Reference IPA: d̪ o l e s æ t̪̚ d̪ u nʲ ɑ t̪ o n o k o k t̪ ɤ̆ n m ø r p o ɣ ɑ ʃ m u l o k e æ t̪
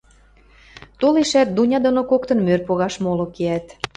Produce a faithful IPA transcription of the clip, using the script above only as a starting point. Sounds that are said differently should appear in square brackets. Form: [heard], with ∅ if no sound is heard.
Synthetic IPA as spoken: [t̪] o l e [ʃ] æ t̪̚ d̪ u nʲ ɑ [d̪] o n o k o k t̪ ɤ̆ n m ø r p o ɣ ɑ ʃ m [o] l o k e æ t̪

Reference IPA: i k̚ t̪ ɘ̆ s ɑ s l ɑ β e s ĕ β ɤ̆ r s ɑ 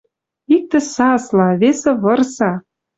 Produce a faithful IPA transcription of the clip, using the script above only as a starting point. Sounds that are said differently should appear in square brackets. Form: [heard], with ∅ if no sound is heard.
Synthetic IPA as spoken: i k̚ t̪ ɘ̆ s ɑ s l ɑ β e s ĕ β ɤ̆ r s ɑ

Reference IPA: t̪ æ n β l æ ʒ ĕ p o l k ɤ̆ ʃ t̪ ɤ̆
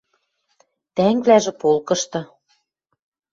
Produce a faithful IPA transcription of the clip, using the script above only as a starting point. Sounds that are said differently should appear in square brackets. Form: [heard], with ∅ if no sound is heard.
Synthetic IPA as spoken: t̪ æ [ŋ] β l æ ʒ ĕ p o l k ɤ̆ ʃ t̪ ɤ̆

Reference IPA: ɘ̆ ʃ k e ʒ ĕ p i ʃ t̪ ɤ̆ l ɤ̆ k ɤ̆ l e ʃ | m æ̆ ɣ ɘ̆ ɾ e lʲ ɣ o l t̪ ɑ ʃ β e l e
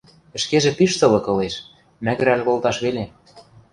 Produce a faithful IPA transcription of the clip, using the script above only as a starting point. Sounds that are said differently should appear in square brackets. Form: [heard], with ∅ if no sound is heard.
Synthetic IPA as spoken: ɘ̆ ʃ k e ʒ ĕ p i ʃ t̪ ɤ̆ l ɤ̆ k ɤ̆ l e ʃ | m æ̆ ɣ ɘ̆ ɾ [æ] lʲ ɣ o l t̪ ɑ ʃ β e l e

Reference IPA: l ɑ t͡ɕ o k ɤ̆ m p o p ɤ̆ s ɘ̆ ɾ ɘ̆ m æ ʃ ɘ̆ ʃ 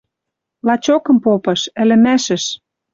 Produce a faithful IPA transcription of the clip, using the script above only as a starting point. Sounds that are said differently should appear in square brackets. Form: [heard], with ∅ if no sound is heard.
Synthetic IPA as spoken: l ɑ t͡ɕ o k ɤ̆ m p o p ɤ̆ [ʃ] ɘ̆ [l] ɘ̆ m æ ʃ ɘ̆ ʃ

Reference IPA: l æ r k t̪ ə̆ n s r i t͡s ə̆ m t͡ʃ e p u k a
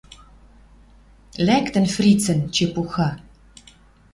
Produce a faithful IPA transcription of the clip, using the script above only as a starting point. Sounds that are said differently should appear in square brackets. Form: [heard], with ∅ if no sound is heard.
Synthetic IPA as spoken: l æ [∅] k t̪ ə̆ n [f] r i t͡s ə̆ [n] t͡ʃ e p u [x] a

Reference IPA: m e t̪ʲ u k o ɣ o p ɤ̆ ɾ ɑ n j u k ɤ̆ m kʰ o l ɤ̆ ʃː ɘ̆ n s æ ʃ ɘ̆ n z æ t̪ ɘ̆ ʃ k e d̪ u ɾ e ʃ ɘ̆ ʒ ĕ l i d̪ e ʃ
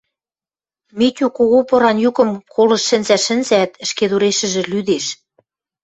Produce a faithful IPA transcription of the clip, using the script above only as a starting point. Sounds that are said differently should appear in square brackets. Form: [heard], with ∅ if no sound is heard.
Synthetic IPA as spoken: m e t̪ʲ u k o ɣ o p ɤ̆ ɾ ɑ n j u k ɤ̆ m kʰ o l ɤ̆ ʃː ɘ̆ n [z] æ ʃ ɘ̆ n z æ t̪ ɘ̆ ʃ k e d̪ u ɾ e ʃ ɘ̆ ʒ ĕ l [y] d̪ e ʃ

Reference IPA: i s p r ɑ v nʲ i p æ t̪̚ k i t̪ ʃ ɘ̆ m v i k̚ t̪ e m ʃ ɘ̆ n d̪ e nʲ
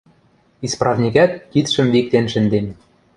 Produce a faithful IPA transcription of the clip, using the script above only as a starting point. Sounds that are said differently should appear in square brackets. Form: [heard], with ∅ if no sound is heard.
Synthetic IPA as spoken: i s p r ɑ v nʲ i [k] æ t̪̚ k i t̪ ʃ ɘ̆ m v i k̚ t̪ e [n] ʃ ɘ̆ n d̪ e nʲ

